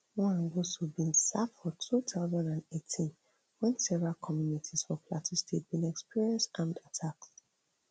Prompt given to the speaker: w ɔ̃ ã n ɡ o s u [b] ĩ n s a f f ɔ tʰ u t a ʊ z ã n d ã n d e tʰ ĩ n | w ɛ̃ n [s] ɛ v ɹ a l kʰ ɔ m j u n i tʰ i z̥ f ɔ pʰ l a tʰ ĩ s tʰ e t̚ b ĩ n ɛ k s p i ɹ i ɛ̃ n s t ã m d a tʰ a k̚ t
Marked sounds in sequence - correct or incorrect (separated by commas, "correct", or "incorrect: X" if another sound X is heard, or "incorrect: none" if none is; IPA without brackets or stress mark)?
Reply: correct, correct